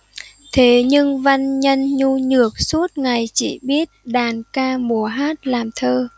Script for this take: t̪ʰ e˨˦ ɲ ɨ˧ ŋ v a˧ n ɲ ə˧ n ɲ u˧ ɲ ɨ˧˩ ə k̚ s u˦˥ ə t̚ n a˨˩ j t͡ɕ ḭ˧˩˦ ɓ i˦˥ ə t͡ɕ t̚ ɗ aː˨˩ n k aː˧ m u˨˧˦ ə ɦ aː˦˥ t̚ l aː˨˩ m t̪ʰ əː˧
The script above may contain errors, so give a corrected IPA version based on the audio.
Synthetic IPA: t̪ʰ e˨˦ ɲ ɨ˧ ŋ v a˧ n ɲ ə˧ n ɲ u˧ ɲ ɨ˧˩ ə k̚ s u˦˥ ə t̚ ŋ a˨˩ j t͡ɕ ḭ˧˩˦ ɓ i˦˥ ə t̚ ɗ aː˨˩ n k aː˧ m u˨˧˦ ə ɦ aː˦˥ t̚ l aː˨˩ m t̪ʰ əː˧